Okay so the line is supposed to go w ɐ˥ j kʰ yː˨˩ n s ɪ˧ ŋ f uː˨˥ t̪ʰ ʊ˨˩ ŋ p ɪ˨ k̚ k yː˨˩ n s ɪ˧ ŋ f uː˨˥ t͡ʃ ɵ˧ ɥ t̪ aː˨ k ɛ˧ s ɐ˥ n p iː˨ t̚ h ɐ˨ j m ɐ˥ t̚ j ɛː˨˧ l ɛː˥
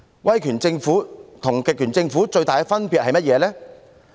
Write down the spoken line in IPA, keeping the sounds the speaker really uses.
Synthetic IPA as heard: w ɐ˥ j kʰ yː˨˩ n t͡s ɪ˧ ŋ f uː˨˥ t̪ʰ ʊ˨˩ ŋ k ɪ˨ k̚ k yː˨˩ n t͡s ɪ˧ ŋ f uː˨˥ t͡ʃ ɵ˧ ɥ t̪ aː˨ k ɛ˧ f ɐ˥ n p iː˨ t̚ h ɐ˨ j m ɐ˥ t̚ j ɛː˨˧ l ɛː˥